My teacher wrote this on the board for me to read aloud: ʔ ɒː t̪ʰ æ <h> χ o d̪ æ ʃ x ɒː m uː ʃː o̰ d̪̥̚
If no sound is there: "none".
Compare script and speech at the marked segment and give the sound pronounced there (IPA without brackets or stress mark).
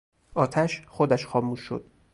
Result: ʃ